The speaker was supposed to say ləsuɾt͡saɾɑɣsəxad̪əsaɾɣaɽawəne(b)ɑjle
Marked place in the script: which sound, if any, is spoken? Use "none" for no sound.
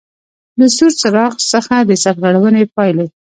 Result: p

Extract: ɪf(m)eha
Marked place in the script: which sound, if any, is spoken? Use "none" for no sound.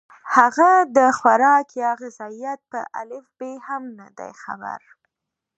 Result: b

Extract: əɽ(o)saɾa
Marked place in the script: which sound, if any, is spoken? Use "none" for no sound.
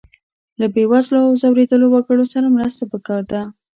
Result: o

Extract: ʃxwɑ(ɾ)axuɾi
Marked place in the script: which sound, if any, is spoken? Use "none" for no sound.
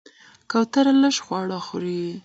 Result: ɽ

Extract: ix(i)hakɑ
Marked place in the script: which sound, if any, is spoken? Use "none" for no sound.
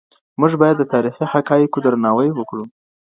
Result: i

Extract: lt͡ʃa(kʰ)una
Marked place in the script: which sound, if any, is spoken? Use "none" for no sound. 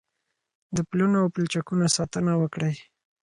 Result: k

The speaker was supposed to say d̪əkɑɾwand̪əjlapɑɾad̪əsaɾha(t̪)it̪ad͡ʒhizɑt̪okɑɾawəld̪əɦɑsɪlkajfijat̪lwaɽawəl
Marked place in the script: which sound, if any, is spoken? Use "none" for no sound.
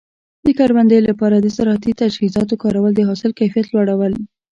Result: t̪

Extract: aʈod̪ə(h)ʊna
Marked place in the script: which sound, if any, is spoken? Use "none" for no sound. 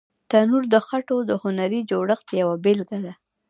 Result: h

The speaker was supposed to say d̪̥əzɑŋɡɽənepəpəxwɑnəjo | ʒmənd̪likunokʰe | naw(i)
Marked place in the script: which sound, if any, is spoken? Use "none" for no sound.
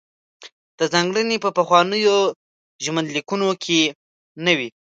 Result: i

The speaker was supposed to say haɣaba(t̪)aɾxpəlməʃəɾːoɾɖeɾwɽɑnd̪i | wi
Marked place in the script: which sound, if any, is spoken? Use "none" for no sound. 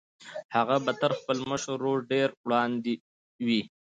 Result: t̪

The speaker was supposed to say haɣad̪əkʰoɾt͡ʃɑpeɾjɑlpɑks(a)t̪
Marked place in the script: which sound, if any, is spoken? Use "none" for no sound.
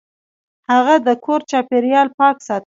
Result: ɑ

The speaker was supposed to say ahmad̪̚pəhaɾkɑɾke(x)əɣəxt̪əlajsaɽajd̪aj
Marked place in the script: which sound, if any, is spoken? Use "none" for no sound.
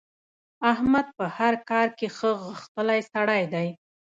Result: x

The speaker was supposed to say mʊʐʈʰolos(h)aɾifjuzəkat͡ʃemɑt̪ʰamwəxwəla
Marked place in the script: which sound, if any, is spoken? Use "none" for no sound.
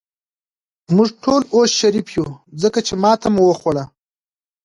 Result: ʃ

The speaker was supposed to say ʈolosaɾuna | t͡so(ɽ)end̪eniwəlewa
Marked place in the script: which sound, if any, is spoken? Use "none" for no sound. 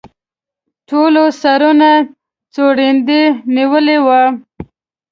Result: ɽ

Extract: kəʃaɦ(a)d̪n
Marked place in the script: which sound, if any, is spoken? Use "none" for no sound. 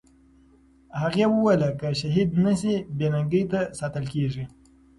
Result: i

